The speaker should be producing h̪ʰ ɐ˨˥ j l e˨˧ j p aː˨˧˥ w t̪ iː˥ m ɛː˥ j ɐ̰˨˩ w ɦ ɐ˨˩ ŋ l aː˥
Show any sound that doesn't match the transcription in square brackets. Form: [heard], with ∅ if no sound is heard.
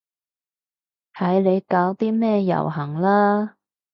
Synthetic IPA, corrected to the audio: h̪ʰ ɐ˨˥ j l e˨˧ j [k] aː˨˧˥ w t̪ iː˥ m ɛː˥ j ɐ̰˨˩ w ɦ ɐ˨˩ ŋ l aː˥

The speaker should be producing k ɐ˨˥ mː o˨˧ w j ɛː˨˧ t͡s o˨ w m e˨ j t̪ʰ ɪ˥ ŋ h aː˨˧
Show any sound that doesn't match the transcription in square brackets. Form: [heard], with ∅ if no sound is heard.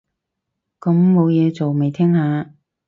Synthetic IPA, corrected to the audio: k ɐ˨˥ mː o˨˧ w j ɛː˨˧ t͡s o˨ w m e˨ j t̪ʰ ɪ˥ ŋ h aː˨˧

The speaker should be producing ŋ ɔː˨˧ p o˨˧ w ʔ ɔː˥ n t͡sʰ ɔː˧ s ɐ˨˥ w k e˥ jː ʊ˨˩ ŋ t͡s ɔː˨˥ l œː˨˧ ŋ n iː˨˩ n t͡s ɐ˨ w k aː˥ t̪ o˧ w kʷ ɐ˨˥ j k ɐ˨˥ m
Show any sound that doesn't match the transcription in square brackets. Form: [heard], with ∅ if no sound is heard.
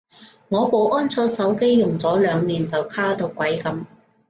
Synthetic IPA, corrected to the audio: ŋ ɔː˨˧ p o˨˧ w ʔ ɔː˥ n t͡sʰ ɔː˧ s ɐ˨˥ w k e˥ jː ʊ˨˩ ŋ t͡s ɔː˨˥ l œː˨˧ ŋ n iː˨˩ n t͡s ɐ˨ w [kʰ] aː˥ t̪ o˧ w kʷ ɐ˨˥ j k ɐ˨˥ m

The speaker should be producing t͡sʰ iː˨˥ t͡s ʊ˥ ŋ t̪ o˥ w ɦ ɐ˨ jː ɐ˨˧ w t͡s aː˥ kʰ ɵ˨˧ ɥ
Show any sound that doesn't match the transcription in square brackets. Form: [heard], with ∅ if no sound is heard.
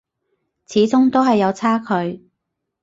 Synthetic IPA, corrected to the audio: t͡sʰ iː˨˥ t͡s ʊ˥ ŋ t̪ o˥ w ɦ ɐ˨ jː ɐ˨˧ w [t͡sʰ] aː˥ kʰ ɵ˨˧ ɥ

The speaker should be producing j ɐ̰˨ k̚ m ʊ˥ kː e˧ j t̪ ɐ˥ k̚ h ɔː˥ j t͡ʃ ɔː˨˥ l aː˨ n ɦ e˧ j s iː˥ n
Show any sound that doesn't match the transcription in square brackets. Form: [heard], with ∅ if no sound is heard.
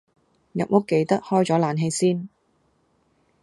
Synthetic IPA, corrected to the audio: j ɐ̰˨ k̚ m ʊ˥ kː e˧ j t̪ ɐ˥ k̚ h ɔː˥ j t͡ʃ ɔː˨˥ l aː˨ n ɦ e˧ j s iː˥ n

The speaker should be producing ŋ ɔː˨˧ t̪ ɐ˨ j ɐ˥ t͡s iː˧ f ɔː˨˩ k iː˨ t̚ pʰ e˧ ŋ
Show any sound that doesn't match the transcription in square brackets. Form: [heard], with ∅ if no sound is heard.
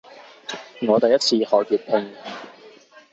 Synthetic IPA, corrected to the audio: ŋ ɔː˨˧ t̪ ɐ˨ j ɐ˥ [t͡sʰ] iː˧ [h] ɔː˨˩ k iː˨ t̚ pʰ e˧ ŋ

